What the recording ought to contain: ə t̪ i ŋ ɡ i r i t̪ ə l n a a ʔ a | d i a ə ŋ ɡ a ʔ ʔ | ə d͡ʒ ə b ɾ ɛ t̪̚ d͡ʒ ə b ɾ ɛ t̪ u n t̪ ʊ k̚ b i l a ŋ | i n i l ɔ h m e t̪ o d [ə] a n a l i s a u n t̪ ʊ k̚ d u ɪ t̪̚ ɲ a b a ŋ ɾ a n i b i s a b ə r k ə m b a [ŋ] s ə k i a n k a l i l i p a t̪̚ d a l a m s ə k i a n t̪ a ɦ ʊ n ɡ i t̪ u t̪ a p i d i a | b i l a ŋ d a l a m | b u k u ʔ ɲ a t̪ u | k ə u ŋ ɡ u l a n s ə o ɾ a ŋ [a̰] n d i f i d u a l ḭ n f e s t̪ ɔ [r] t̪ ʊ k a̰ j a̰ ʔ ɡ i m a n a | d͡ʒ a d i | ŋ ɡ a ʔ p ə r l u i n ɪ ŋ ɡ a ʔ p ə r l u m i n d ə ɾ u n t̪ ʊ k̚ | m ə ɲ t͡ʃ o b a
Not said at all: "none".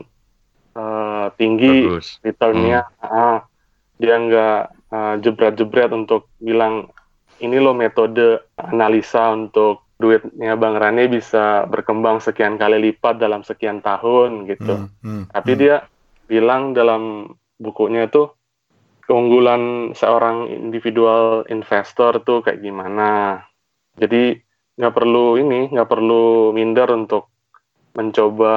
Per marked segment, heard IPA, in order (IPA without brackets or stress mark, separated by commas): ə, ŋ, ḭ, r